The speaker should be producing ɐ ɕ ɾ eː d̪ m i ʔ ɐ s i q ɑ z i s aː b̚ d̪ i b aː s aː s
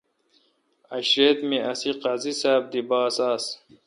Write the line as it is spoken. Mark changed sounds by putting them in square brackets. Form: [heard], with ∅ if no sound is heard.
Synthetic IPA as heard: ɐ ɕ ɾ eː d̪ m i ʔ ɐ s i q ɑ z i s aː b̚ d̪ i b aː s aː s